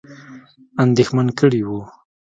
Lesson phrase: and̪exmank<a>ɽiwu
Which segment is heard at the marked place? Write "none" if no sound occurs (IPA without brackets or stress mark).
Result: ə